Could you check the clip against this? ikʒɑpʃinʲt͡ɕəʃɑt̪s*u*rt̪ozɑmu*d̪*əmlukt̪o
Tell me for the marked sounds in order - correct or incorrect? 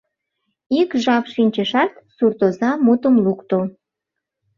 correct, incorrect

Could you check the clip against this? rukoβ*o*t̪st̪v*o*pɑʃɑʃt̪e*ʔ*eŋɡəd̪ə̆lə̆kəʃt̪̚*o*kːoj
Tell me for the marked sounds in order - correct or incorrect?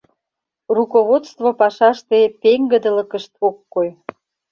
correct, correct, incorrect, correct

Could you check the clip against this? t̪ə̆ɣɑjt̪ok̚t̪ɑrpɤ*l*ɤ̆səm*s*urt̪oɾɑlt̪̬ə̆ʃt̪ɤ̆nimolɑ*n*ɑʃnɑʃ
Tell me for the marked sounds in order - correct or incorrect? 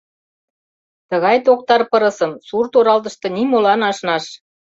incorrect, correct, correct

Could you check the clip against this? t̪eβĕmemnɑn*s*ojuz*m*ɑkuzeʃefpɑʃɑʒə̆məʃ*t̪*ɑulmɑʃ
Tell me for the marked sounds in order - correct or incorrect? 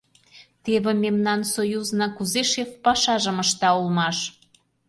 correct, incorrect, correct

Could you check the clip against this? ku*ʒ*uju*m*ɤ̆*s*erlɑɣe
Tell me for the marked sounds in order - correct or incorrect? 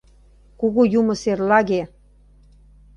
incorrect, correct, correct

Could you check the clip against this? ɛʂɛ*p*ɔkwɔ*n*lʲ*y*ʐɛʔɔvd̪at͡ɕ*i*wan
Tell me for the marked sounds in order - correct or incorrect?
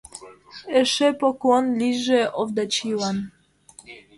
correct, correct, incorrect, correct

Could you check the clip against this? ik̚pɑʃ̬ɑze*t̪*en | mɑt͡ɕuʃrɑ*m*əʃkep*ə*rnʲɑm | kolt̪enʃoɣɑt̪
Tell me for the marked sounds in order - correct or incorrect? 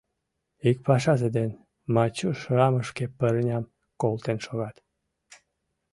incorrect, correct, correct

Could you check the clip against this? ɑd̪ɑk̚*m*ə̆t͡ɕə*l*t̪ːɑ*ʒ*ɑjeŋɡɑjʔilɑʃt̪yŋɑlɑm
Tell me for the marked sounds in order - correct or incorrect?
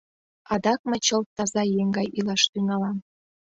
correct, correct, incorrect

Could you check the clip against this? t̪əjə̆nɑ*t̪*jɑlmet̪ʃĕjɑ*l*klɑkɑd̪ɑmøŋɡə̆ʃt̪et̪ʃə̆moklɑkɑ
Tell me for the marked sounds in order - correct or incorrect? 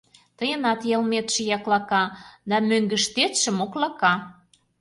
correct, incorrect

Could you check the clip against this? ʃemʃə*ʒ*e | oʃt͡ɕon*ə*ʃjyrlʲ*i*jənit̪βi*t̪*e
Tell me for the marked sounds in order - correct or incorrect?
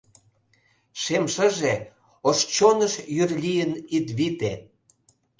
correct, correct, correct, correct

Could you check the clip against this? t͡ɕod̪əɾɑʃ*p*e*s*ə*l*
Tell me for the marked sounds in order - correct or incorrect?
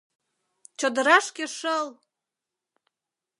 incorrect, incorrect, correct

